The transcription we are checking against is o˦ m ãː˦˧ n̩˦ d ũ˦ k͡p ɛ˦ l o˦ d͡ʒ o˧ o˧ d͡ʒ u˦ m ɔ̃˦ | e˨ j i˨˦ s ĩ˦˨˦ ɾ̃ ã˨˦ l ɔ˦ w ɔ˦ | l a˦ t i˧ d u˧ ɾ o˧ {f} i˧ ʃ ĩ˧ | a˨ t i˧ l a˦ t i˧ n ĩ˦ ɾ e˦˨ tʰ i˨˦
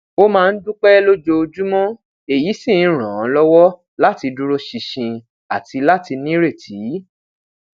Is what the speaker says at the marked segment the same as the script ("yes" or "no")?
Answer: no